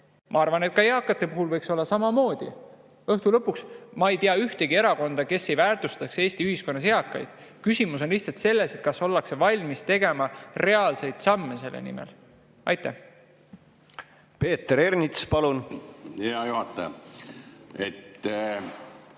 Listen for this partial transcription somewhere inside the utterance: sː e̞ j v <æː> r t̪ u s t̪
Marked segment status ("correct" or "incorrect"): correct